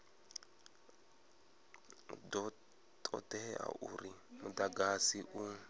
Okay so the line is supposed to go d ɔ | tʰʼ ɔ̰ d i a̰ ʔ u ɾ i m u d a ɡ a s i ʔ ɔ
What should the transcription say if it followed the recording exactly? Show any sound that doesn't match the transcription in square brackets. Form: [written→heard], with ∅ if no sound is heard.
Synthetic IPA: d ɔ | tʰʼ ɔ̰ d [i→ɛ] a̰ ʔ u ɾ i m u d a ɡ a s i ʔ [ɔ→u]